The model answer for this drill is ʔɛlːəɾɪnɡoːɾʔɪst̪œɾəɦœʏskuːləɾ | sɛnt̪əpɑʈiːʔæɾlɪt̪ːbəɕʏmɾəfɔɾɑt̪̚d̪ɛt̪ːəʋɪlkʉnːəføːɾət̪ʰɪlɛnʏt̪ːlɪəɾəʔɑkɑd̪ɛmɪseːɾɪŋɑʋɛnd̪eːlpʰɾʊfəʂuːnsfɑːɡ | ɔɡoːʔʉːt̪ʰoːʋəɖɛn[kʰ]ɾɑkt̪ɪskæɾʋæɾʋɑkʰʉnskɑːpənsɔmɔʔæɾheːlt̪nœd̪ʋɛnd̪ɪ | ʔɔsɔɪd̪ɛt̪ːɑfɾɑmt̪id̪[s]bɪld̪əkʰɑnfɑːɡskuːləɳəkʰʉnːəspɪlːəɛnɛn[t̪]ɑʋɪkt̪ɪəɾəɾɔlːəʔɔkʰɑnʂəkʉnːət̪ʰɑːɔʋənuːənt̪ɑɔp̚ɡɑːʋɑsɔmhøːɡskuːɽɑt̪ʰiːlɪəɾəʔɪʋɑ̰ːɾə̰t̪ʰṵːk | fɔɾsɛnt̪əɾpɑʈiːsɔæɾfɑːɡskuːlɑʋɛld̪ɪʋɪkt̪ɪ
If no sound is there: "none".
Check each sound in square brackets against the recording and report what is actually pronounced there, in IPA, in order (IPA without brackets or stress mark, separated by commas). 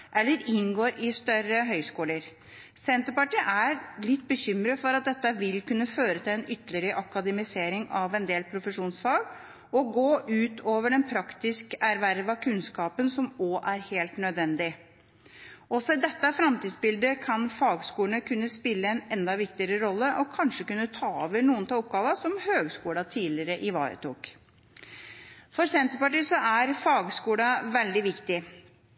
pʰ, s, d̪